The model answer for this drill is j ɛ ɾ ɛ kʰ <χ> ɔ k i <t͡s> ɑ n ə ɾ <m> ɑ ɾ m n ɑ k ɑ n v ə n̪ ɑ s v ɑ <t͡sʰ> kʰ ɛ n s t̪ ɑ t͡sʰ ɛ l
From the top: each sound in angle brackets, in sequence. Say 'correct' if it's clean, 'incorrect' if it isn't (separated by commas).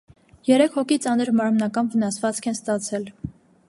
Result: incorrect, correct, correct, incorrect